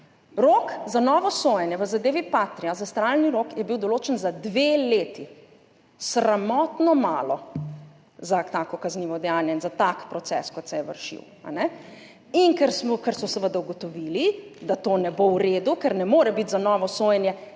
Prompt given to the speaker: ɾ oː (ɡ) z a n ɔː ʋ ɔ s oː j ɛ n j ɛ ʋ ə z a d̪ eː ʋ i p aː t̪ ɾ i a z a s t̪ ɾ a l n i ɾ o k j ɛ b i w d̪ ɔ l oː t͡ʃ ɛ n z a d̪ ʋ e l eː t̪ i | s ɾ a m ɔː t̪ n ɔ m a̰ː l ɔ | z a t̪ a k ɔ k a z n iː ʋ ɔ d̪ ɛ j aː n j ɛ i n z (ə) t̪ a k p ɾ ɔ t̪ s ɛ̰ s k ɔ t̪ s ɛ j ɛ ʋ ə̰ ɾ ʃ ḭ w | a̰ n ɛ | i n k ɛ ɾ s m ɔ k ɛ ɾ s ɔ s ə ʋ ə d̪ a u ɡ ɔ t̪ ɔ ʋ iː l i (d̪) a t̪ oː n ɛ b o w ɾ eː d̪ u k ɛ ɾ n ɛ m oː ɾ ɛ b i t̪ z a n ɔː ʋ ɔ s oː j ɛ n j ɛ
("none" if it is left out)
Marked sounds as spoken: k, a, d̪

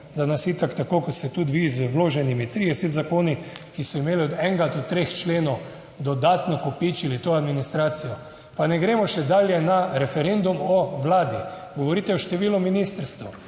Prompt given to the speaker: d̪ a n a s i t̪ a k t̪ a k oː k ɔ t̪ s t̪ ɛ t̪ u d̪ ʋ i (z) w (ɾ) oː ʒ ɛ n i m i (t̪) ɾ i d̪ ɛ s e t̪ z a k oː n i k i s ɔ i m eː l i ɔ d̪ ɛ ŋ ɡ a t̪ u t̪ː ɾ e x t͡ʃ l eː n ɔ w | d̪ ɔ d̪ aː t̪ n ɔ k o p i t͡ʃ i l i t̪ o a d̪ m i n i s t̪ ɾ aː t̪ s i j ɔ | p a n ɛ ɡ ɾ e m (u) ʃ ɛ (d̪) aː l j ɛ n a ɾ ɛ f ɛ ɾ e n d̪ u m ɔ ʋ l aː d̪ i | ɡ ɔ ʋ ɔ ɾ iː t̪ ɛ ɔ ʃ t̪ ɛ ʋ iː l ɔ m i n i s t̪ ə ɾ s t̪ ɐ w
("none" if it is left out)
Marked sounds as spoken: z, l, t̪, ɔ, d̪

